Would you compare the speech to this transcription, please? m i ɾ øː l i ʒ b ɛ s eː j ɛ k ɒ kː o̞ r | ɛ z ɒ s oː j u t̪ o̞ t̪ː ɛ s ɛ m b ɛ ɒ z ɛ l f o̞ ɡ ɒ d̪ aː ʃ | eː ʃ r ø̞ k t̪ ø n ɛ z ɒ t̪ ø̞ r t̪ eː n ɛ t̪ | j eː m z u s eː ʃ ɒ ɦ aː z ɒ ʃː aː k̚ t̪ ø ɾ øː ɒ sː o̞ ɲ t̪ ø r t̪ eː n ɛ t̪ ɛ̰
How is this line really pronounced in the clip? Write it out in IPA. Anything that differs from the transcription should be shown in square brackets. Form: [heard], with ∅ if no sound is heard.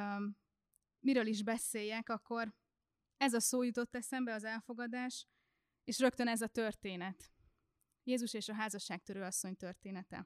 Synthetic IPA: m i ɾ øː l i ʒ b ɛ s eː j ɛ k ɒ kː o̞ r | ɛ z ɒ s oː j u t̪ o̞ t̪ː ɛ s ɛ m b ɛ ɒ z ɛ l f o̞ ɡ ɒ d̪ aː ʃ | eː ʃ r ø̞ k t̪ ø n ɛ z ɒ t̪ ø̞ r t̪ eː n ɛ t̪ | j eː [∅] z u [ʃ] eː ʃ ɒ ɦ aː z ɒ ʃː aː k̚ t̪ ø ɾ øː ɒ sː o̞ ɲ t̪ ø r t̪ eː n ɛ t̪ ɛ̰